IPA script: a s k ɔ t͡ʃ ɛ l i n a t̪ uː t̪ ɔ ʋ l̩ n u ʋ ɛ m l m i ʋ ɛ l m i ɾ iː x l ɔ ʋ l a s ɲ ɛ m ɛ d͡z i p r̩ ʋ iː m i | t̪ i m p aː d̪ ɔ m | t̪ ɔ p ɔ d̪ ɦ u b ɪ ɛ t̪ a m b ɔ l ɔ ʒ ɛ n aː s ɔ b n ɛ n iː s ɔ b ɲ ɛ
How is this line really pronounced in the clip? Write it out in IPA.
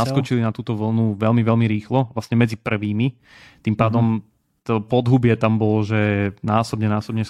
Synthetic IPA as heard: a s k ɔ t͡ʃ i l i n a t̪ uː t̪ ɔ ʋ l̩ n u ʋ ɛ l m i ʋ ɛ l m i ɾ iː x l ɔ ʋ l a s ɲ ɛ m ɛ d͡z i p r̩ ʋ iː m i | t̪ i m p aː d̪ ɔ m | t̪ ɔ p ɔ d̪ ɦ u b ɪ ɛ t̪ a m b ɔ l ɔ ʒ ɛ n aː s ɔ b ɲ ɛ n aː s ɔ b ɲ ɛ